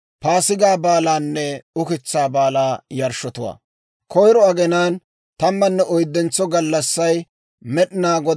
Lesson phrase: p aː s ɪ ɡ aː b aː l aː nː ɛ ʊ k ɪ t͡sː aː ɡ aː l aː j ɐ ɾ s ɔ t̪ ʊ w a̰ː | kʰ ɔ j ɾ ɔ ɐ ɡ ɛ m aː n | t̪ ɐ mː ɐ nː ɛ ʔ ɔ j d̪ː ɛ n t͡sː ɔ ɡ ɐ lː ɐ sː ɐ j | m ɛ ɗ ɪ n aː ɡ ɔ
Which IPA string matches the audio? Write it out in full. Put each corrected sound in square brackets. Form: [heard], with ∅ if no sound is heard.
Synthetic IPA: p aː s ɪ ɡ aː b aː l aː nː ɛ ʊ k ɪ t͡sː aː [b] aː l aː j ɐ ɾ [ʃ] ɔ t̪ ʊ w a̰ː | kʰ ɔ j ɾ ɔ ɐ ɡ ɛ [n] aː n | t̪ ɐ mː ɐ nː ɛ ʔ ɔ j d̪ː ɛ n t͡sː ɔ ɡ ɐ lː ɐ sː ɐ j | m ɛ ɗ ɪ n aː ɡ ɔ